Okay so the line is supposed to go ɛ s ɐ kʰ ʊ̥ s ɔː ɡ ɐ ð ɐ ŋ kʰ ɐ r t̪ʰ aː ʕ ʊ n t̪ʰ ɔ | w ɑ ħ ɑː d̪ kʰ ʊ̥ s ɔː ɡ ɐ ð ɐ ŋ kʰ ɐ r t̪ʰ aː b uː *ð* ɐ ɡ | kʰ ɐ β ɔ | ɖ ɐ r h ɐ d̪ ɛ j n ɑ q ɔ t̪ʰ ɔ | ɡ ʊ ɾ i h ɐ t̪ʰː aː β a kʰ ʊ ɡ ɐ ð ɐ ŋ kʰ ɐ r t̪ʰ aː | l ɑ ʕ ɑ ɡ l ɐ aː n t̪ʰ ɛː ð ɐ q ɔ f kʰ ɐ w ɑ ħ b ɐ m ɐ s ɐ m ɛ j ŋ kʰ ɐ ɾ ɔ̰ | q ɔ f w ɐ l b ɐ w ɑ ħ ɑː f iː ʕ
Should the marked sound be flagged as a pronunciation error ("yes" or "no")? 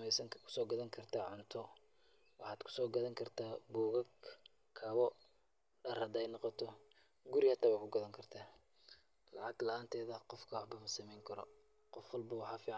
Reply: yes